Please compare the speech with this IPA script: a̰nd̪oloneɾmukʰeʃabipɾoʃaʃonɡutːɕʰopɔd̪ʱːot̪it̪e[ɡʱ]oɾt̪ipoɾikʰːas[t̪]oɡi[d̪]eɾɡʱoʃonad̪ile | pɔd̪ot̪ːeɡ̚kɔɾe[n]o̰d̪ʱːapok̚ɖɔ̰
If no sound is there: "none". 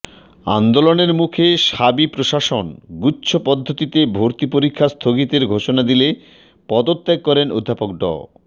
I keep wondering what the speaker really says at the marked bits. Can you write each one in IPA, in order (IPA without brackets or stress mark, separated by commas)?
bʱ, t̪ʰ, t̪, n